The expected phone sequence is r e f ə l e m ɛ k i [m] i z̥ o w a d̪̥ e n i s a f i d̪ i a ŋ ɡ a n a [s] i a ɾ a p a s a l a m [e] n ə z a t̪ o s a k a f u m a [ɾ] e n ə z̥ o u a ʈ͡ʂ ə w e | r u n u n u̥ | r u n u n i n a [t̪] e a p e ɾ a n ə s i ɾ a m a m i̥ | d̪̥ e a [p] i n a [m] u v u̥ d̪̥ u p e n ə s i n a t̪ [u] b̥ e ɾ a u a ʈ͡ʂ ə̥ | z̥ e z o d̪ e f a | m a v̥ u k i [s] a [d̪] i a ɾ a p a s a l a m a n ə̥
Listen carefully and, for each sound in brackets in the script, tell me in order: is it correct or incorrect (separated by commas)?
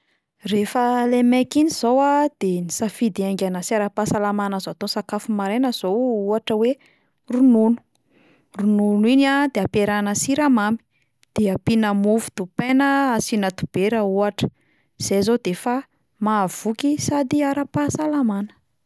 incorrect, correct, incorrect, correct, incorrect, correct, correct, correct, correct, correct